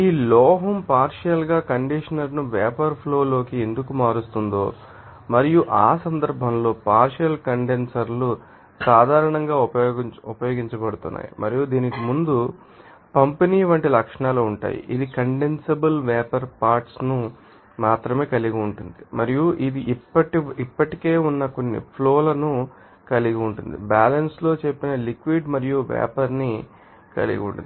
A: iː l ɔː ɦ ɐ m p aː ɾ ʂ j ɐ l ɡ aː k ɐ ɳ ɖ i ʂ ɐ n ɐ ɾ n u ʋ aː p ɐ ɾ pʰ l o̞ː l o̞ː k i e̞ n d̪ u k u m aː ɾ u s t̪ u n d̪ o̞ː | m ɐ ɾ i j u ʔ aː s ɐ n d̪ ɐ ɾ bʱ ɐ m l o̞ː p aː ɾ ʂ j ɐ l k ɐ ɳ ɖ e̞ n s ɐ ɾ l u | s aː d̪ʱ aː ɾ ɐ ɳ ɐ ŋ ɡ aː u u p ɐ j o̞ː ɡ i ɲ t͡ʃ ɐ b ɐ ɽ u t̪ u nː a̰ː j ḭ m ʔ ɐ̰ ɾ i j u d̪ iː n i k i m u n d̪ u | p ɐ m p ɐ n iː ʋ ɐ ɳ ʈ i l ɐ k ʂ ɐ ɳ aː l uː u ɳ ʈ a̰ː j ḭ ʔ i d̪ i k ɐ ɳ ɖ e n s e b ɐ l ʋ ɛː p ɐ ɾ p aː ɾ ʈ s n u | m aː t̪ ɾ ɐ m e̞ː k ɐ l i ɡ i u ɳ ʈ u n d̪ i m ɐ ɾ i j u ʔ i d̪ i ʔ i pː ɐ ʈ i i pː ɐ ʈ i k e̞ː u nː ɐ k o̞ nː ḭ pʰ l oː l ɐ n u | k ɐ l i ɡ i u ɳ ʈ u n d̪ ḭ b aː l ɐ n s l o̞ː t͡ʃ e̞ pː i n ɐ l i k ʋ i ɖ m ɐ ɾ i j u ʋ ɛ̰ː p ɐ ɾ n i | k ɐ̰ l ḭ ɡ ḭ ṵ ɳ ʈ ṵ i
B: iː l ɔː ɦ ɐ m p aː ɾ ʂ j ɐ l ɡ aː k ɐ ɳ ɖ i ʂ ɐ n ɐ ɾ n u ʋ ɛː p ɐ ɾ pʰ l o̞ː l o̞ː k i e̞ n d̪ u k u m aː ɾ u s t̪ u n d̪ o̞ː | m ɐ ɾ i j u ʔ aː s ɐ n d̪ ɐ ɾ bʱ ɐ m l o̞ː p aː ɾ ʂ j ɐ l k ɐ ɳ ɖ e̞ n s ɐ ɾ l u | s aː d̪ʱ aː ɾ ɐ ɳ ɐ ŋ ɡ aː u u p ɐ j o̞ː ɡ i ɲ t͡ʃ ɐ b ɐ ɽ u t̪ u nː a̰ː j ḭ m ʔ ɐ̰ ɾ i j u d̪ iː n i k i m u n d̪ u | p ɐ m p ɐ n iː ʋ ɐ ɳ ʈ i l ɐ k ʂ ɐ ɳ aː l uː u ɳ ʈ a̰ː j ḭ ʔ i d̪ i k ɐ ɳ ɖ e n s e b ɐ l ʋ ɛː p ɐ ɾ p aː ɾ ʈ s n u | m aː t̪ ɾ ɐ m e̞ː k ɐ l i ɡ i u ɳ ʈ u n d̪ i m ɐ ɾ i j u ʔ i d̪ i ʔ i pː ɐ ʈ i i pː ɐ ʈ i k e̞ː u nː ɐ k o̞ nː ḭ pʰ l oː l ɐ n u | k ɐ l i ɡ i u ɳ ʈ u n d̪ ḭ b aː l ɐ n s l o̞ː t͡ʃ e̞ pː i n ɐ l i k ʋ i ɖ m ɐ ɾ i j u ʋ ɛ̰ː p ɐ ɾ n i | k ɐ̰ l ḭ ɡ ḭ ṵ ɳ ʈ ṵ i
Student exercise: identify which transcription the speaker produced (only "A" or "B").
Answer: B